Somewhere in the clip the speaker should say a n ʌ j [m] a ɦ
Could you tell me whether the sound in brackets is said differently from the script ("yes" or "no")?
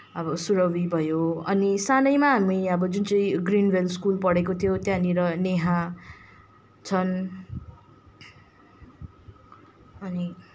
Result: no